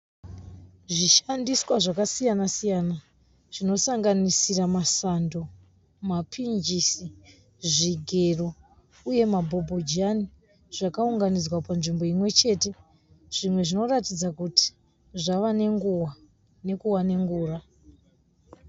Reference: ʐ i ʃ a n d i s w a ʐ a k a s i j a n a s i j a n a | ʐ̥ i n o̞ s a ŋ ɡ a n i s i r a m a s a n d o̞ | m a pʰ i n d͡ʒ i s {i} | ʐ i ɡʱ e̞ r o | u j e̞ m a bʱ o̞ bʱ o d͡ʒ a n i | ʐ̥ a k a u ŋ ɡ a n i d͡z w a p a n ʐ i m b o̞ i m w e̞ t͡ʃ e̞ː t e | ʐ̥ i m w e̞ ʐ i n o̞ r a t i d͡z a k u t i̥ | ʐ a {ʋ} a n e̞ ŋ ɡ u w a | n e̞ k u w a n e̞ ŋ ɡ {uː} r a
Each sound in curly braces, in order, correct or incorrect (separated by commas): correct, correct, correct